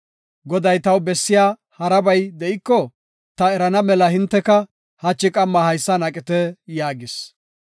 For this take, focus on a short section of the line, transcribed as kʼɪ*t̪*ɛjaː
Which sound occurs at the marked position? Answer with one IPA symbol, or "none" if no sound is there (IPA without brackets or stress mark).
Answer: t̪